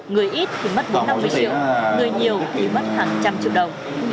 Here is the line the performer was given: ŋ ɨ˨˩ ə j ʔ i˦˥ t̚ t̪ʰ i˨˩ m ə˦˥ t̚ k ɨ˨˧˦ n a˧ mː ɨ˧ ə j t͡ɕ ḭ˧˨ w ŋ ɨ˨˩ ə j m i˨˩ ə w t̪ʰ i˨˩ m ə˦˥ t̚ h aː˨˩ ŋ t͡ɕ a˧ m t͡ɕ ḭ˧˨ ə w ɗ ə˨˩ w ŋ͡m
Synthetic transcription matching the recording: ŋ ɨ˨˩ ə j ʔ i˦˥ t̚ t̪ʰ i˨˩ m ə˦˥ t̚ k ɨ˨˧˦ n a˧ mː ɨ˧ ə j t͡ɕ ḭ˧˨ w ŋ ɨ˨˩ ə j ɲ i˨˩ ə w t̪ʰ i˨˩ m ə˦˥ t̚ h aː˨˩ ŋ t͡ɕ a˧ m t͡ɕ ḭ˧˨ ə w ɗ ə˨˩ w ŋ͡m